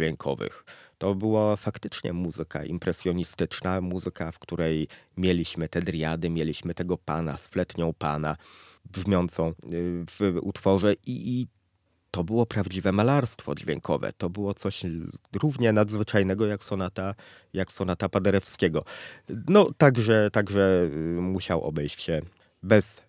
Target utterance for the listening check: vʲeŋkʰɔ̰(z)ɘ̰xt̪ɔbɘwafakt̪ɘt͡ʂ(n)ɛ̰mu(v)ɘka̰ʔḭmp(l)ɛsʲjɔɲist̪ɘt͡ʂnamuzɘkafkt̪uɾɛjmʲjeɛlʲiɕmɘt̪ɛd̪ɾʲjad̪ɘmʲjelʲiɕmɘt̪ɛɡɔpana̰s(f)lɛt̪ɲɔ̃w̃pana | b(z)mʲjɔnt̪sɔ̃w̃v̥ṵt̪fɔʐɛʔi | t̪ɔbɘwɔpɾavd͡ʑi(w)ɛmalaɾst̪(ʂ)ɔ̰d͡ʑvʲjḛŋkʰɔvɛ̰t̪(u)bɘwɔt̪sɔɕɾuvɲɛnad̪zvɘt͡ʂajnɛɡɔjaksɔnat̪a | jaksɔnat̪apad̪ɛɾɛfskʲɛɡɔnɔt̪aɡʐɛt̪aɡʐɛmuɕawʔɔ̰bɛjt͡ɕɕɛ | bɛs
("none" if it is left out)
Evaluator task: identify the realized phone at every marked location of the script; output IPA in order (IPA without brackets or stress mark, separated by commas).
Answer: v, ɲ, z, ɾ, f, ʐ, v, f, ɔ